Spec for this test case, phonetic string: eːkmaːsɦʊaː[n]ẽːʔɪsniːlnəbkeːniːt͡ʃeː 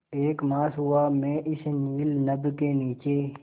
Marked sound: incorrect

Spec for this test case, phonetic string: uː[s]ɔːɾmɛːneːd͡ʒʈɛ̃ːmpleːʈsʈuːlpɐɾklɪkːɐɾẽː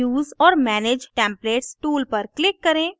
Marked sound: incorrect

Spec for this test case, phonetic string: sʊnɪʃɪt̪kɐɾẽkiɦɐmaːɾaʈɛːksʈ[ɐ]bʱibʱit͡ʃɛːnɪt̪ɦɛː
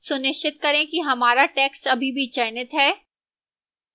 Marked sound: correct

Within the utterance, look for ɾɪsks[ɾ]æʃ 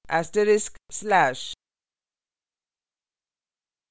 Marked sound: incorrect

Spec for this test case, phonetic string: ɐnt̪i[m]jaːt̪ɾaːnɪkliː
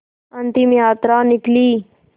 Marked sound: correct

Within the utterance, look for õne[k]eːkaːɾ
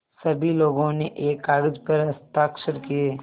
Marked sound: incorrect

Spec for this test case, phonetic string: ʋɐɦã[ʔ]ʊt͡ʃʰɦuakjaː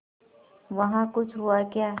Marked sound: incorrect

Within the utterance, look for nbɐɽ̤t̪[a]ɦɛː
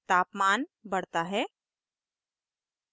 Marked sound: correct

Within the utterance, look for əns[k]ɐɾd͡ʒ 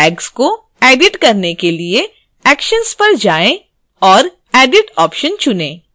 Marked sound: incorrect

